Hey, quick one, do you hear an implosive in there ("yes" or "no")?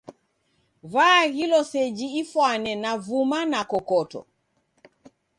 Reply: no